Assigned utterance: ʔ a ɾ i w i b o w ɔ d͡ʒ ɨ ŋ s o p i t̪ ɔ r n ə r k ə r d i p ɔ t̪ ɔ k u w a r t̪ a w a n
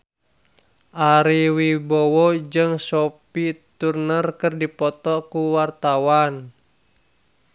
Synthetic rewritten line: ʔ a ɾ i w i b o w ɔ d͡ʒ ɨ ŋ s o p i t̪ u r n ə r k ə r d i p ɔ t̪ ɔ k u w a r t̪ a w a n